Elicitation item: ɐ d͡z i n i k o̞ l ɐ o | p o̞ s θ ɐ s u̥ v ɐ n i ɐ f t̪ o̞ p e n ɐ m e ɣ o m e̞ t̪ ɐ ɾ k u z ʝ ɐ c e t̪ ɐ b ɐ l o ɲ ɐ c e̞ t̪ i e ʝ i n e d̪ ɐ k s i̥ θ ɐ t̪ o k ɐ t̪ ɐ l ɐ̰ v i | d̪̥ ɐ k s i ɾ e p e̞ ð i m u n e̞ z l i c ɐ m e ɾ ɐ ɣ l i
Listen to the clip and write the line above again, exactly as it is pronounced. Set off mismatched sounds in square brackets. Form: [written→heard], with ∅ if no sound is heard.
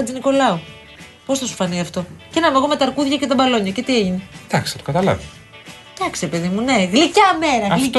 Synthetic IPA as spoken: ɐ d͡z i n i k o̞ l ɐ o | p o̞ s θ ɐ s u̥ [v→f] ɐ n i ɐ f t̪ o̞ [p→c] e n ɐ m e ɣ o m e̞ t̪ ɐ ɾ k u [z→ð] ʝ ɐ c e t̪ ɐ b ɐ l o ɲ ɐ c e̞ t̪ i e ʝ i n e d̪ ɐ k s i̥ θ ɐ t̪ o k ɐ t̪ ɐ l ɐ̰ v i | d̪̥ ɐ k s i ɾ e p e̞ ð i m u n e̞ [z→ɣ] l i c ɐ m e ɾ ɐ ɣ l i